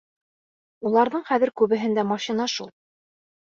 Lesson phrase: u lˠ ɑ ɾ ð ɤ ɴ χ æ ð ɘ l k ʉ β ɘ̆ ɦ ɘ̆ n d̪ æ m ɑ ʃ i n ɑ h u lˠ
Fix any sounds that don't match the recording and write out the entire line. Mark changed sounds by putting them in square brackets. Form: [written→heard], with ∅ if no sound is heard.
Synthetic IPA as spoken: u lˠ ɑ ɾ ð ɤ ɴ χ æ ð ɘ [l→ɾ] k ʉ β ɘ̆ ɦ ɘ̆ n d̪ æ m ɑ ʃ i n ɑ [h→ʃ] u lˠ